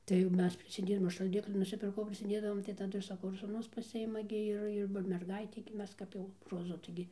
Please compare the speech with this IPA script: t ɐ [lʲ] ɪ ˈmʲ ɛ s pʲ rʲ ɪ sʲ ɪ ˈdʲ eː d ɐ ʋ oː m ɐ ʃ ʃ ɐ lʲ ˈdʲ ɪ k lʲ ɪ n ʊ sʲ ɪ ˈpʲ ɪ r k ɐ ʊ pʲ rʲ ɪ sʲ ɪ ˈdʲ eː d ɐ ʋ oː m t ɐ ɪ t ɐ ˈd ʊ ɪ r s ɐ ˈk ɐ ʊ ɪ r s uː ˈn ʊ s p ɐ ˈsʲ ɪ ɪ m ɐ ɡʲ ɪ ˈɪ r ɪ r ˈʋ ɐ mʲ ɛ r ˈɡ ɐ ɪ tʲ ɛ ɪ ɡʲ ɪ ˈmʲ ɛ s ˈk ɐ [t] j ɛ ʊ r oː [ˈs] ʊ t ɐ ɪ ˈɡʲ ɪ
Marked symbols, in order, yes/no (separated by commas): no, no, no